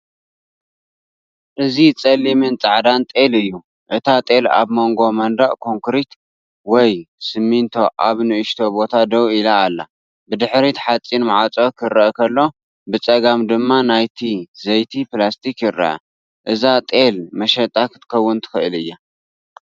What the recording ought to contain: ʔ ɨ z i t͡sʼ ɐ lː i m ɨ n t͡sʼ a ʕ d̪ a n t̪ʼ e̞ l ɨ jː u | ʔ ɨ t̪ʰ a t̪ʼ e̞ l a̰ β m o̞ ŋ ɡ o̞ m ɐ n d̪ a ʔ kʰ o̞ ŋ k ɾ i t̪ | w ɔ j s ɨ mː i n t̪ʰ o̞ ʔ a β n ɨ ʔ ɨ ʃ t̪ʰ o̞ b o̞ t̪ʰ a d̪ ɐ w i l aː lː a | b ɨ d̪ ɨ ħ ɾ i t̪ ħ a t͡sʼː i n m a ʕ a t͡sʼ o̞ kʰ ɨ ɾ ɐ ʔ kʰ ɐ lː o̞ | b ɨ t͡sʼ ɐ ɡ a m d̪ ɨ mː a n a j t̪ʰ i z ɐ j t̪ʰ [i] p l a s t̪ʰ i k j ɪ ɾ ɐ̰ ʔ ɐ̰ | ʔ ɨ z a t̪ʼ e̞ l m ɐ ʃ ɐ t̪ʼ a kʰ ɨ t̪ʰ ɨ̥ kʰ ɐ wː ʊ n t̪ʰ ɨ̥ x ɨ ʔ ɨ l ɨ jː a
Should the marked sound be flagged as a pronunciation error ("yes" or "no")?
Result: no